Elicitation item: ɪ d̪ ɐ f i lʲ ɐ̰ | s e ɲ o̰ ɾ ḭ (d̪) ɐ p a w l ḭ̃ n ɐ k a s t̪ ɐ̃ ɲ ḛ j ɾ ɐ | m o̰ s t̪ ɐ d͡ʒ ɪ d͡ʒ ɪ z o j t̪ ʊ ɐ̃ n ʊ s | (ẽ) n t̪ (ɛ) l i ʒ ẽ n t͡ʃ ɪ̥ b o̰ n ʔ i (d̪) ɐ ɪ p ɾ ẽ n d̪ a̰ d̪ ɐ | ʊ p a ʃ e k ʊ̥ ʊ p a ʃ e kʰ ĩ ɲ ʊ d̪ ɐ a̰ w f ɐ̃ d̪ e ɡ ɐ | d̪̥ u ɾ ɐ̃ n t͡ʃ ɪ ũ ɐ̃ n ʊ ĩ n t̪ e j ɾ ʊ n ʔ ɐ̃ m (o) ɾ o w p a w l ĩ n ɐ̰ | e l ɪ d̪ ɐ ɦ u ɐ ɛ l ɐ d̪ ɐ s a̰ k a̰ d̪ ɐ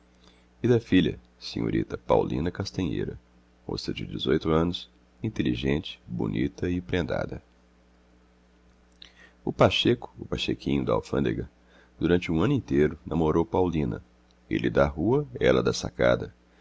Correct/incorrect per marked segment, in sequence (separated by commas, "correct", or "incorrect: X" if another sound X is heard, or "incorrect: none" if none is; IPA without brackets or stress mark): incorrect: t̪, incorrect: ĩ, incorrect: e, incorrect: t̪, correct